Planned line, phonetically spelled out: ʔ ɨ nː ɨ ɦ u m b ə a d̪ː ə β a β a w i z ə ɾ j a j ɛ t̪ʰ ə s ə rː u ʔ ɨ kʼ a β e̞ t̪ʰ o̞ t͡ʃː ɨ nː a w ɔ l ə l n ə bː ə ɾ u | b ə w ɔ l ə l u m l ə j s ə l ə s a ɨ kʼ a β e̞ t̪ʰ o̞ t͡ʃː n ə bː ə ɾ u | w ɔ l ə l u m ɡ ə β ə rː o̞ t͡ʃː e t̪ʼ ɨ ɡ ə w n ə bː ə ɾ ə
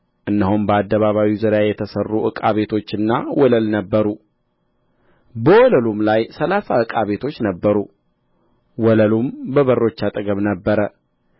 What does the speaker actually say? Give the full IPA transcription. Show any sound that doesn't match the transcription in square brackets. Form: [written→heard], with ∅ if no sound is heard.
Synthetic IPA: ʔ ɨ nː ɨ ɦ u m b ə a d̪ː ə β a β a w i z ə ɾ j a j ɛ t̪ʰ ə s ə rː u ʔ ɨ kʼ a β e̞ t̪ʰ o̞ t͡ʃː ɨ nː a w ɔ l ə l n ə bː ə ɾ u | b ə w ɔ l ə l u m l [ə→a] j s ə l [ə→a] s a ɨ kʼ a β e̞ t̪ʰ o̞ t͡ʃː n ə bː ə ɾ u | w ɔ l ə l u m [ɡ→b] ə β ə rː o̞ t͡ʃː [e→a] t̪ʼ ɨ ɡ ə [w→β] n ə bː ə ɾ ə